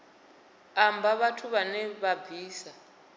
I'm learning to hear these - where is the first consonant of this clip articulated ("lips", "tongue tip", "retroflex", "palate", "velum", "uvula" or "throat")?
lips